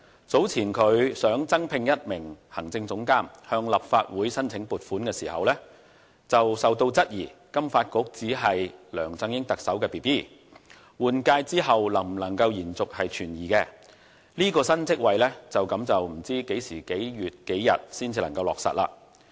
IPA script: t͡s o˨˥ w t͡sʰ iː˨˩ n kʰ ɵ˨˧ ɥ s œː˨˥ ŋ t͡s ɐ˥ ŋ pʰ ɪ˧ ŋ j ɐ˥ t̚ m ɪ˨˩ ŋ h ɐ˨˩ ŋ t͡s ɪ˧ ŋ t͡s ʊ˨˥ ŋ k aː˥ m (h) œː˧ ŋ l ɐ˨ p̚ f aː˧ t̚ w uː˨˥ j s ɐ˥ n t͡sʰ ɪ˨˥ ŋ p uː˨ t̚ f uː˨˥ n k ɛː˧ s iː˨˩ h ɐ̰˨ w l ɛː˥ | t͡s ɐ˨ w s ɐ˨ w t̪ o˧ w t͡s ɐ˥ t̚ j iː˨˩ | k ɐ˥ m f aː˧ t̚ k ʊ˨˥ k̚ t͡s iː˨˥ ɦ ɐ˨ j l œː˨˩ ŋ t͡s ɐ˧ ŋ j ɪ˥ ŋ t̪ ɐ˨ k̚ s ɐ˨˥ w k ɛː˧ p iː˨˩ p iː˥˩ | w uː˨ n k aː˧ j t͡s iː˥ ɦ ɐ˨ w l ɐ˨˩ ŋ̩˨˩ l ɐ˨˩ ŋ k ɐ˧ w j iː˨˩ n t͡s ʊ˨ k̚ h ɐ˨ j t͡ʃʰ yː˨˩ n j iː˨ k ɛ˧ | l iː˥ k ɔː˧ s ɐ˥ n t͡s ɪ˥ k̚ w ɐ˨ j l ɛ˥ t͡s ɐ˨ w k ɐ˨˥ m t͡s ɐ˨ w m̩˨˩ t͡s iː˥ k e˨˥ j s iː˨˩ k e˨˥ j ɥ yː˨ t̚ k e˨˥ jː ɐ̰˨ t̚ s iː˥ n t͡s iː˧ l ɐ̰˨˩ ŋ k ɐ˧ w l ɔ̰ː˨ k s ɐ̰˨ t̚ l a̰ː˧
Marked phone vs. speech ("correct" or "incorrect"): correct